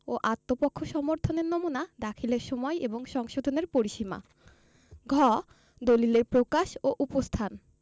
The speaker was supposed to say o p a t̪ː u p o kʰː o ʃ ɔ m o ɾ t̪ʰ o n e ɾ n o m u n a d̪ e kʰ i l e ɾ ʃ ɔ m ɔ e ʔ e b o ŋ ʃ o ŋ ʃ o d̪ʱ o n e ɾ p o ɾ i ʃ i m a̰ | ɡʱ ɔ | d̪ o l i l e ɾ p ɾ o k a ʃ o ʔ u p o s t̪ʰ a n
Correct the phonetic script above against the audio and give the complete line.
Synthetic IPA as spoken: o ʔ a t̪ː o p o kʰː o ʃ ɔ m o ɾ t̪ʰ o n e ɾ n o m u n a d̪ a kʰ i l e ɾ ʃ ɔ m ɔ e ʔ e b o ŋ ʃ ɔ ŋ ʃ o d̪ʱ o n e ɾ p o ɾ i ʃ i m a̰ | ɡʱ ɔ | d̪ o l i l e ɾ p ɾ o k a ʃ o ʔ u p o s t̪ʰ a n